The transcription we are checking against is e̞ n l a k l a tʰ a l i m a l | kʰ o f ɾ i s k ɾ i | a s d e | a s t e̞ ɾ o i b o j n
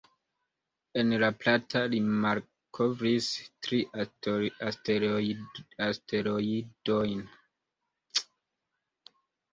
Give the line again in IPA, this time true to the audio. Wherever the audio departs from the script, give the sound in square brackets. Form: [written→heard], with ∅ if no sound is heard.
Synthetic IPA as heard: e̞ n l a [k→p] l a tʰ a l i m a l | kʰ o [f→v] ɾ i s [k→t] ɾ i | a s [d→t] e | a s t e̞ ɾ o i [b→d] o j n